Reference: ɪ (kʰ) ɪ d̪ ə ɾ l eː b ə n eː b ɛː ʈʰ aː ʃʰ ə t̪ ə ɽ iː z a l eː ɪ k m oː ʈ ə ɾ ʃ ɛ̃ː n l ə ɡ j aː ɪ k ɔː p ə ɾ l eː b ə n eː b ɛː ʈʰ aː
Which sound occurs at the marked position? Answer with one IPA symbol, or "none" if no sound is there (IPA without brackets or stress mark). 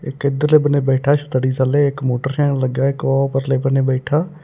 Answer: k